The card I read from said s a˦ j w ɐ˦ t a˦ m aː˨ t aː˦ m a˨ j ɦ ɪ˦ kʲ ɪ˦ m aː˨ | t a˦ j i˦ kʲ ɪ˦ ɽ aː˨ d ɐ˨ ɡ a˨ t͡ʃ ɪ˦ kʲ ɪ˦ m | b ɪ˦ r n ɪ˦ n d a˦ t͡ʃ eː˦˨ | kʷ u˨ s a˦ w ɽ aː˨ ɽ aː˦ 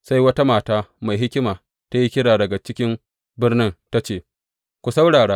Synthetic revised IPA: s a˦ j w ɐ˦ t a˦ m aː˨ t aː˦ m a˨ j ɦ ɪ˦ kʲ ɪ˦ m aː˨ | t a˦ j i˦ kʲ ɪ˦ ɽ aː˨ d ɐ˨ ɡ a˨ t͡ʃ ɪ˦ kʲ ɪ˦ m | b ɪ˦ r n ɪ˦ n t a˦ t͡ʃ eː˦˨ | kʷ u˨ s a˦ w ɽ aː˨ ɽ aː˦